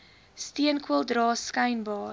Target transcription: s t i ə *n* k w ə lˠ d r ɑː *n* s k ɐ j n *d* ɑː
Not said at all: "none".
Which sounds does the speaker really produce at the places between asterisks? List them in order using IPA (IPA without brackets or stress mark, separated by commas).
n, none, b